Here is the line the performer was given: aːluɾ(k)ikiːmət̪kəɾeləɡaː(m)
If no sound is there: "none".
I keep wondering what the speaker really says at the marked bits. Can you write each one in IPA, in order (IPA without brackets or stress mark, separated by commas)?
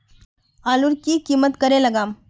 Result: k, m